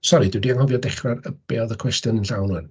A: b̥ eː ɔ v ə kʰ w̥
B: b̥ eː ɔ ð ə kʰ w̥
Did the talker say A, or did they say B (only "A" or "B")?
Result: B